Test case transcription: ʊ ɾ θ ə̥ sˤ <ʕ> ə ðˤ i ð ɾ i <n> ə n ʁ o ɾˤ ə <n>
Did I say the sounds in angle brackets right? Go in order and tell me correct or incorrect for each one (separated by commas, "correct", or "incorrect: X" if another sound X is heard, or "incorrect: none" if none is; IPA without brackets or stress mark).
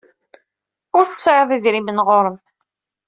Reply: correct, incorrect: m, incorrect: m